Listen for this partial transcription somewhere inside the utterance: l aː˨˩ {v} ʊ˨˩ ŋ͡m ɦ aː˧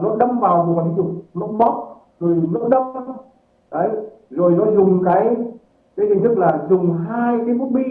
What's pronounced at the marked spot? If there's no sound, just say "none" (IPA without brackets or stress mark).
z